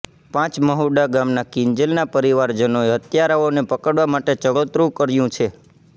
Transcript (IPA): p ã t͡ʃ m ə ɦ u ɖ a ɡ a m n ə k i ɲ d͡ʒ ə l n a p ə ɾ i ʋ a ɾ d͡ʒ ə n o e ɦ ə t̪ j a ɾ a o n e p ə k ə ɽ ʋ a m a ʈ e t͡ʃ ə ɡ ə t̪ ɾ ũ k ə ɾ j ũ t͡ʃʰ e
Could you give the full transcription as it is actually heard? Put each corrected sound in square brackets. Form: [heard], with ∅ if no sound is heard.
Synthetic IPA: p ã t͡ʃ m ə ɦ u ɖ a ɡ a m n [a] k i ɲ d͡ʒ ə l n a p ə ɾ i ʋ a ɾ d͡ʒ ə n o e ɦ ə t̪ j a ɾ a o n e p ə k ə ɽ ʋ a m a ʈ e t͡ʃ ə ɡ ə t̪ ɾ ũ k ə ɾ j ũ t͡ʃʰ e